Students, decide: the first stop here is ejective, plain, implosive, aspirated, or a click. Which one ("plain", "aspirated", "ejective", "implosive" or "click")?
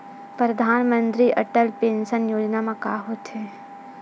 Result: plain